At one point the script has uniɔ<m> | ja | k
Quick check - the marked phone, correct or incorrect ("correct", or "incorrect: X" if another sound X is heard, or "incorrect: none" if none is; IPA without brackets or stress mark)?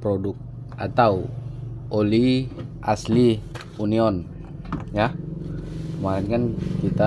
incorrect: n